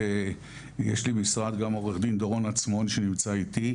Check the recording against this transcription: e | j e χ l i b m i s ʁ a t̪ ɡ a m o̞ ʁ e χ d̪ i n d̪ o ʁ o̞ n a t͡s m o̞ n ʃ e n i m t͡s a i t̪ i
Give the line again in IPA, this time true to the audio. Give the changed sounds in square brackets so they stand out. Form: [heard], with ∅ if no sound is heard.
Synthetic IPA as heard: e | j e [ʃ] l i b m i s ʁ a [d̪] ɡ a m o̞ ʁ e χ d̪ i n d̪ o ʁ o̞ n a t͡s m o̞ n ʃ e n i m t͡s a i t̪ i